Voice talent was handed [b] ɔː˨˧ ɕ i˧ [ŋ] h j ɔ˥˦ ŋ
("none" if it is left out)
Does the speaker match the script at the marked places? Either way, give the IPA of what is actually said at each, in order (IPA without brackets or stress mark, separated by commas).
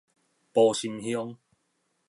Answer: p, m